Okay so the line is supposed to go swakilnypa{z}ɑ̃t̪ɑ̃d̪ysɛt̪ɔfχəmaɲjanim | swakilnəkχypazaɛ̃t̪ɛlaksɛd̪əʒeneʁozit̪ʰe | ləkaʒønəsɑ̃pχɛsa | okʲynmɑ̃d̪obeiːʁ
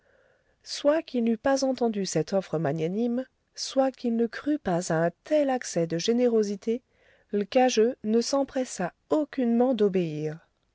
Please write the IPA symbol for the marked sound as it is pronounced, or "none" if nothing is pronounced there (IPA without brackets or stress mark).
z